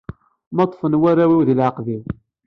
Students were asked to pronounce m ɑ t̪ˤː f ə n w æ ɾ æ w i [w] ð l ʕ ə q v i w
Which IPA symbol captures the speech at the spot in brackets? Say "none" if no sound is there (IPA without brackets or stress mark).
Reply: w